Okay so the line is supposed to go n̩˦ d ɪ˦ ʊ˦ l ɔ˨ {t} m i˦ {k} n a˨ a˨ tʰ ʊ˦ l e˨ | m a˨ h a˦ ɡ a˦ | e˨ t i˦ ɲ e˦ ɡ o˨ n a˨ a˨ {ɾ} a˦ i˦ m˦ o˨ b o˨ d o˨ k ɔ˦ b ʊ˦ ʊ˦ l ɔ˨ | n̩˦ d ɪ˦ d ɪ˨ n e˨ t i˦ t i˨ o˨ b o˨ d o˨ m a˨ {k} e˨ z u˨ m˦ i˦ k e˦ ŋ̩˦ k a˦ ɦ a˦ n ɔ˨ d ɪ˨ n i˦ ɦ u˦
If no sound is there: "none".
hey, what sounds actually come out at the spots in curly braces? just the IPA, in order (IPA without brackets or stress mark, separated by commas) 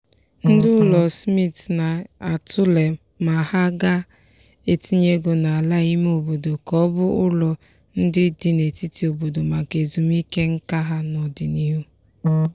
s, t, l, k